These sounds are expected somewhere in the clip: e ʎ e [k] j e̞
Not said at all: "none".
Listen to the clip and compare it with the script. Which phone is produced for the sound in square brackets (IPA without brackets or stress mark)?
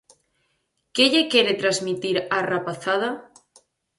k